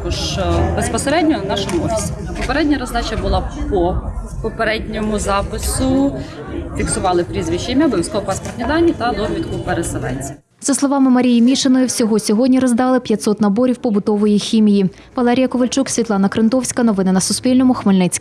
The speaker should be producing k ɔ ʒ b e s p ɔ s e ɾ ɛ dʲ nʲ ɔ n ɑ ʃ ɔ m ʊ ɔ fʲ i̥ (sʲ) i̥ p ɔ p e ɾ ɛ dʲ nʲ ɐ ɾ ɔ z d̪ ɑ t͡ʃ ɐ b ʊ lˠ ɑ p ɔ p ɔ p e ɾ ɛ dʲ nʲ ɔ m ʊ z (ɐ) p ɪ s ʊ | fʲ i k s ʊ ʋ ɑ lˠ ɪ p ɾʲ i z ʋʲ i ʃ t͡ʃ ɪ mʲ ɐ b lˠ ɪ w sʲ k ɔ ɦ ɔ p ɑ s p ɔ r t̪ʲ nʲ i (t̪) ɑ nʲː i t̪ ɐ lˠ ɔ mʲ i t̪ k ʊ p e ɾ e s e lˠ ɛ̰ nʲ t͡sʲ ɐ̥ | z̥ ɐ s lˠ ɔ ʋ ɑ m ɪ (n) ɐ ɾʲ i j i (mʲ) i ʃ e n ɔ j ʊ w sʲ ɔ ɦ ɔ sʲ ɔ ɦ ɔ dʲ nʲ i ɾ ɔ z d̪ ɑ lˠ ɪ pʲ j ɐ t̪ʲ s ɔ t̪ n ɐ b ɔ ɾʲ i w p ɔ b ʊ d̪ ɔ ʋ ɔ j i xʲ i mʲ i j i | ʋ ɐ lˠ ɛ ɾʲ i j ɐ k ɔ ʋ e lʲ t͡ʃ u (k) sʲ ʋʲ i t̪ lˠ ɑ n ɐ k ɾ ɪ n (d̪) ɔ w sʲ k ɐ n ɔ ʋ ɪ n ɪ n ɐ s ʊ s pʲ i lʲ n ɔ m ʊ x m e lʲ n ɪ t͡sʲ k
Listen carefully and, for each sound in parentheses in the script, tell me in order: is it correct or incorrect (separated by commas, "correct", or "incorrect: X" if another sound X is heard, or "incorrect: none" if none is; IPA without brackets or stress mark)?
correct, incorrect: ɑ, incorrect: d̪, incorrect: m, correct, correct, incorrect: t̪